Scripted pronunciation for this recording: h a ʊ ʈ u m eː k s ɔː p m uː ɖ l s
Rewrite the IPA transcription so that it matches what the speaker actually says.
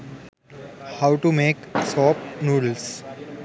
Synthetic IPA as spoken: h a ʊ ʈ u m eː k s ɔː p n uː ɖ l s

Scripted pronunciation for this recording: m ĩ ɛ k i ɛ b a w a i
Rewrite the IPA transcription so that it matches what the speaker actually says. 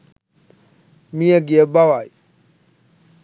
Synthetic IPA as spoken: m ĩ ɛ ɡ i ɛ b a w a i

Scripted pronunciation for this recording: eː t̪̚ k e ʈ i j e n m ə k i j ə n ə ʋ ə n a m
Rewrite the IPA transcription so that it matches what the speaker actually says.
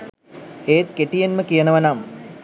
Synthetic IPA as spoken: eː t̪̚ k e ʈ i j e n m ə k i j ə n ə ʋ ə n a m

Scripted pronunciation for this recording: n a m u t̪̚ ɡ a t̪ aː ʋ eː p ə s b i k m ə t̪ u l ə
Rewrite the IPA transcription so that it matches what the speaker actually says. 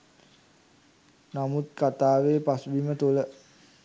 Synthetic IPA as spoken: n a m u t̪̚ k a t̪ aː ʋ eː p a s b i m ə t̪ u l ə

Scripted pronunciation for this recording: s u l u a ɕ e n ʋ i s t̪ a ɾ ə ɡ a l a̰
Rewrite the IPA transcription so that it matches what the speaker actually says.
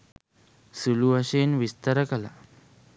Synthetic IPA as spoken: s u l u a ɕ e n ʋ i s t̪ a ɾ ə k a l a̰

